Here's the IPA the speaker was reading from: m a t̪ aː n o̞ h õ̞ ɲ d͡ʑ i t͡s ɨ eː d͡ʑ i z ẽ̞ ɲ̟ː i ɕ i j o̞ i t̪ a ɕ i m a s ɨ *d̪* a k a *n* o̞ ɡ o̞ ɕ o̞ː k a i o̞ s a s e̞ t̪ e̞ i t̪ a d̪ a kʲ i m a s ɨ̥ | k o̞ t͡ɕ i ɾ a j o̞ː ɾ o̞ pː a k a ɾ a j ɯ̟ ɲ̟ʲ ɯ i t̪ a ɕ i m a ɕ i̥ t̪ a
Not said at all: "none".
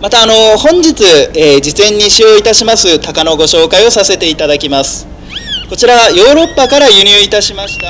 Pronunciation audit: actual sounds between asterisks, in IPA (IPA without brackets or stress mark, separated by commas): t̪, n